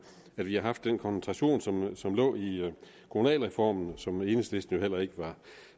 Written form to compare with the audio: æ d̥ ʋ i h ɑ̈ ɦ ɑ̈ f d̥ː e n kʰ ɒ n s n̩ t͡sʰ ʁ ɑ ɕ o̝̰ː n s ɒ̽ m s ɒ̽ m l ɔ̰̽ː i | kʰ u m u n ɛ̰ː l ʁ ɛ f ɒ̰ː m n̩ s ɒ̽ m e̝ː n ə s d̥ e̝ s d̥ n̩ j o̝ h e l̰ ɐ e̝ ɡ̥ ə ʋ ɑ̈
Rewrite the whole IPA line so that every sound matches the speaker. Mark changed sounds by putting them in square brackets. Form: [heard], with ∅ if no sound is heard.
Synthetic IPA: æ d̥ ʋ i h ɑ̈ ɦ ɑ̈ f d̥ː e n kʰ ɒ n s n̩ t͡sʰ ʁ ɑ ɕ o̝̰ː n s ɒ̽ m s ɒ̽ m l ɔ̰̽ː i | kʰ [o] m u n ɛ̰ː l ʁ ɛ f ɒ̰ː m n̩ s ɒ̽ m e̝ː n ə s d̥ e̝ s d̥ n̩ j o̝ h e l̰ ɐ e̝ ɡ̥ ə ʋ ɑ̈